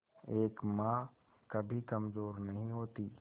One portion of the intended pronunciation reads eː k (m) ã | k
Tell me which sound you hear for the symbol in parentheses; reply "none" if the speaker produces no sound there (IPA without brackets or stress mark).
m